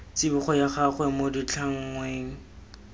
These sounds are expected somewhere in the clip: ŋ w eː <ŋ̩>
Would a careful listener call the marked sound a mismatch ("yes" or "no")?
no